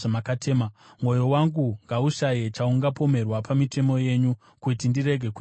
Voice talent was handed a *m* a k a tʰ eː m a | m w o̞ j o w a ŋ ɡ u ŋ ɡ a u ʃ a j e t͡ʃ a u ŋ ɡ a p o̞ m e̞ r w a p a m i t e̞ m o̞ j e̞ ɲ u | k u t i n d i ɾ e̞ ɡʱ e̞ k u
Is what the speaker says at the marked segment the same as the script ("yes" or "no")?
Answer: yes